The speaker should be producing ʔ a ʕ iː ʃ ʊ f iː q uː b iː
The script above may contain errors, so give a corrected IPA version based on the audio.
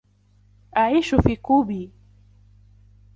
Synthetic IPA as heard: ʔ a ʕ iː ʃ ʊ f iː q uː b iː